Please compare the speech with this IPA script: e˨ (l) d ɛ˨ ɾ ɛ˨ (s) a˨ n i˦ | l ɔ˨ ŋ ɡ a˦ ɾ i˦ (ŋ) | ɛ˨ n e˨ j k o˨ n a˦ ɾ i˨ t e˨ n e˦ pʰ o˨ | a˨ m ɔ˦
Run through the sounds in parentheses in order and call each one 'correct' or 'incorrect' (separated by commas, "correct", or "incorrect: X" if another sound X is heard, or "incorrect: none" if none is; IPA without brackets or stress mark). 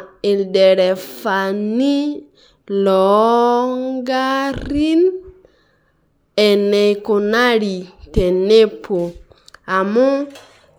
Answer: correct, incorrect: f, incorrect: n